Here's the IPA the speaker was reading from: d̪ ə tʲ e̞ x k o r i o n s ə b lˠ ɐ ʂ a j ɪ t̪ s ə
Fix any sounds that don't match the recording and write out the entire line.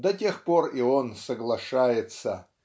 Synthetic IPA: d̪ ɐ tʲ e̞ x p o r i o n s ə ɡ lˠ ɐ ʂ a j ɪ t̪ s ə